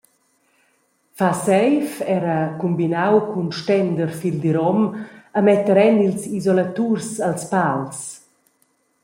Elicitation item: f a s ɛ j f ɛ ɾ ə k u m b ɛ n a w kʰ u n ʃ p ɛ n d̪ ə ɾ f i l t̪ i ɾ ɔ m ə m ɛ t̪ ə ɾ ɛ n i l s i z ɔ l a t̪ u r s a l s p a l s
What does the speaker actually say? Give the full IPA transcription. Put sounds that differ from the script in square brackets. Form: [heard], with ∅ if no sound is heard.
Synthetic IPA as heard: f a s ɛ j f ɛ ɾ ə k u m b [i] n a w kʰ u n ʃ [t] ɛ n d̪ ə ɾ f i l [d̪] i ɾ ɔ m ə m ɛ t̪ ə ɾ ɛ n i l s i z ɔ l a t̪ u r s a l s p a l s